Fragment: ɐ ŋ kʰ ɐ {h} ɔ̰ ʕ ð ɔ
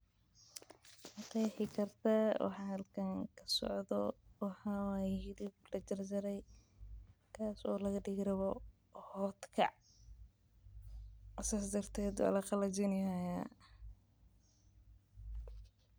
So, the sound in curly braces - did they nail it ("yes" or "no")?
no